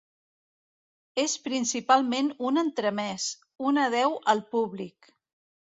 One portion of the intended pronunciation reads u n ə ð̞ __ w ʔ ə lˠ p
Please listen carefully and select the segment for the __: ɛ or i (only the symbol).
ɛ